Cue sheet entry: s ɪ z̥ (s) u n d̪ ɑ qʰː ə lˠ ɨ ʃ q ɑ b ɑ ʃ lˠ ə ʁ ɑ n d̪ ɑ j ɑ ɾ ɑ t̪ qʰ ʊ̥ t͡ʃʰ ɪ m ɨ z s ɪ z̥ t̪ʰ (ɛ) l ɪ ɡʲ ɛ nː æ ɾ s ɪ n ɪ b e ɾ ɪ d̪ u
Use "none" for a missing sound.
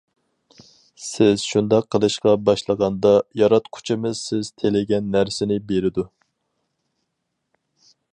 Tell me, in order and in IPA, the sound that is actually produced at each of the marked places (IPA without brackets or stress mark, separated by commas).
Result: ʃ, e